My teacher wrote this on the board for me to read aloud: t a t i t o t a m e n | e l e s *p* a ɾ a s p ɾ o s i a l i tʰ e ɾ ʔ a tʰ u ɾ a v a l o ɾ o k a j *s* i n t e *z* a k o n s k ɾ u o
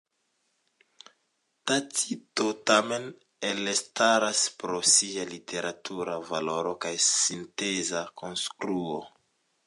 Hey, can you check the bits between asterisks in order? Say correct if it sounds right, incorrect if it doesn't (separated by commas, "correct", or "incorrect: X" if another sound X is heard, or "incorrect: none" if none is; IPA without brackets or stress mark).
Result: incorrect: t, correct, correct